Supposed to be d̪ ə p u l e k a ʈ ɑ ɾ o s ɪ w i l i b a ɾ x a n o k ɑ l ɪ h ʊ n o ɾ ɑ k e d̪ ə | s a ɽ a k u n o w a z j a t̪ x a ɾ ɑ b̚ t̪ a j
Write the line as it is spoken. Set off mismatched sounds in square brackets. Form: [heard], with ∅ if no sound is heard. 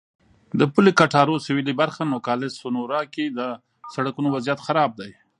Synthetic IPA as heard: d̪ ə p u l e k a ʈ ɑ ɾ o s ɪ w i l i b a ɾ x a n o k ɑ l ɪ [s] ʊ n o ɾ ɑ k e d̪ ə | s a ɽ a k u n o w a z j a t̪ x a ɾ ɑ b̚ [d̪] a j